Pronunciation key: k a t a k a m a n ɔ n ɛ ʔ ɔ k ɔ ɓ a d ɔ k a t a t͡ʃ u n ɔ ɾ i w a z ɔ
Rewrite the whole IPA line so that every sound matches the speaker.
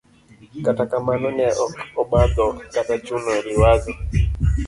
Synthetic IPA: k a t a k a m a n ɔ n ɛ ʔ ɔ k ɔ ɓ a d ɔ k a t a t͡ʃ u n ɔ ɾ i w a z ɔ